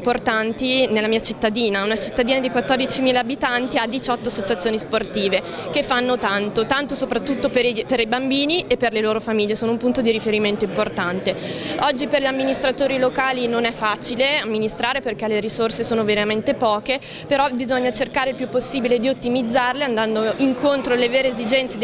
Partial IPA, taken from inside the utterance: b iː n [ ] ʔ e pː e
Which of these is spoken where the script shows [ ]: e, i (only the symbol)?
i